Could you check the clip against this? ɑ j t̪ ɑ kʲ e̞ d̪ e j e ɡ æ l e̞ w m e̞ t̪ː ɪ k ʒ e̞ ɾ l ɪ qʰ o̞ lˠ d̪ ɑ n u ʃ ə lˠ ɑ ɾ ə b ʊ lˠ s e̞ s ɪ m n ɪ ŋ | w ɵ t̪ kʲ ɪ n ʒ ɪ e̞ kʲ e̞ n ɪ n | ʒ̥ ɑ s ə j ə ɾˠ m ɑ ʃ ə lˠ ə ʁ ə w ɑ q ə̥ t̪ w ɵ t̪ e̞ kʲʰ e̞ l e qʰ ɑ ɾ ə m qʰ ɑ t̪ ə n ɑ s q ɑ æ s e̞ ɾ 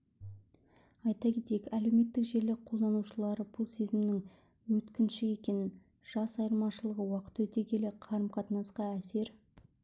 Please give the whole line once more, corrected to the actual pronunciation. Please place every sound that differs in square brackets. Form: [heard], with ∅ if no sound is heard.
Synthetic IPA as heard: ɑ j t̪ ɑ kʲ e̞ [t̪] e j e [k] æ l e̞ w m e̞ t̪ː ɪ k ʒ e̞ ɾ l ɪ qʰ o̞ lˠ d̪ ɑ n u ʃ ə lˠ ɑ ɾ ə b ʊ lˠ s e̞ [z] ɪ m n ɪ ŋ | w ɵ t̪ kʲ ɪ n [ʃ] ɪ e̞ kʲ e̞ n ɪ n | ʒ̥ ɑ s [ɑ] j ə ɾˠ m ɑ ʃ ə lˠ ə ʁ ə w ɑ q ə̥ t̪ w ɵ t̪ e̞ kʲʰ e̞ l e qʰ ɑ ɾ ə m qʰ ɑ t̪ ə n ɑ s q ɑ æ s e̞ ɾ